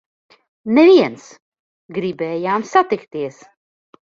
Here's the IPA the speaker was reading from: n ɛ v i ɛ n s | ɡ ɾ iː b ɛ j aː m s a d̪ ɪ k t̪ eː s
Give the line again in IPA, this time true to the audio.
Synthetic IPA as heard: n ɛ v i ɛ n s | ɡ ɾ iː b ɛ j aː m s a t̪ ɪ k t̪ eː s